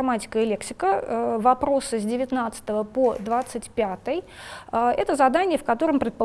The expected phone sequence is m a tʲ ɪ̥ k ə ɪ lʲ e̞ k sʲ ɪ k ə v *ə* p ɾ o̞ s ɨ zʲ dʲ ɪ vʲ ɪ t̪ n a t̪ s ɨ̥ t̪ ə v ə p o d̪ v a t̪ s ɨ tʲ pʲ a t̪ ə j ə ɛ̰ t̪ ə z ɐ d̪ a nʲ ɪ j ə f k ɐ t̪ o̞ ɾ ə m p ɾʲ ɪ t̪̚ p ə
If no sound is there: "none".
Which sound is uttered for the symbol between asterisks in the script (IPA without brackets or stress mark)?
ɐ